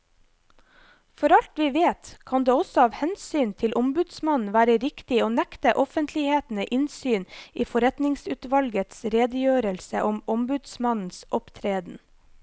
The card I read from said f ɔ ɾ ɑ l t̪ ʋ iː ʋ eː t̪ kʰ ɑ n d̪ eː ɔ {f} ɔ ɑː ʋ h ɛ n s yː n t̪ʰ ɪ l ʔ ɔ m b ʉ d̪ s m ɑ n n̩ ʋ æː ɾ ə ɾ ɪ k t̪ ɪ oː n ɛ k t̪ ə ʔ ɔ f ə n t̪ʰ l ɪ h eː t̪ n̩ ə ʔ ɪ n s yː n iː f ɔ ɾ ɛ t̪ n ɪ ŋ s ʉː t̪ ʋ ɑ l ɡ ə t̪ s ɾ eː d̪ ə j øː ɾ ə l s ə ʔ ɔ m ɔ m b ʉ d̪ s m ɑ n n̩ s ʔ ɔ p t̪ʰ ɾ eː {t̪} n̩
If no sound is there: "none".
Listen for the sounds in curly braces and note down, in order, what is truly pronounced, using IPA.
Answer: s, d̪

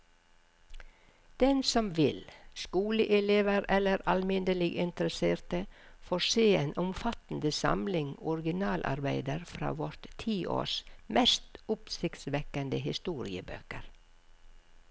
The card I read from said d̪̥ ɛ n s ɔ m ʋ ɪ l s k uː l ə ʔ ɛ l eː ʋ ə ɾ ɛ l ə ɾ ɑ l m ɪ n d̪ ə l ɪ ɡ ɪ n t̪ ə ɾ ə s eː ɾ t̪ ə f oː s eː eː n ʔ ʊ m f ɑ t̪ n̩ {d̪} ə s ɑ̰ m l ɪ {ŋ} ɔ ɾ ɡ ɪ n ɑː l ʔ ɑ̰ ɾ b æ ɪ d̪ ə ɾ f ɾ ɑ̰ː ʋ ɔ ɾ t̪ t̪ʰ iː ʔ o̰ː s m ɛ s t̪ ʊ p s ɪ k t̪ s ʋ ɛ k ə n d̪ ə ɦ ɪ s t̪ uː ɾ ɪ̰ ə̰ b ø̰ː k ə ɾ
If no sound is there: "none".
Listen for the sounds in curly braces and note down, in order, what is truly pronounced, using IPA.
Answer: d̪, ŋ

